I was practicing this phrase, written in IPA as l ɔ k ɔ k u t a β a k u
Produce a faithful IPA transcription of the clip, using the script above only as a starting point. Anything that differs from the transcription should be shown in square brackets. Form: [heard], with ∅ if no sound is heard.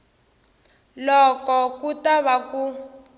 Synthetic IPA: l ɔ k ɔ k u t a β a k u